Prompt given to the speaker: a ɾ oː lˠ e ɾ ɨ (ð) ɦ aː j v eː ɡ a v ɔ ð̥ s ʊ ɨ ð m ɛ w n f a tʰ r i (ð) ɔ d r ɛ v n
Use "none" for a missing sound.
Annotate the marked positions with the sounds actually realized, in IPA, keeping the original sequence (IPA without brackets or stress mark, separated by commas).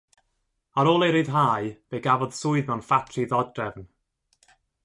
ð, ð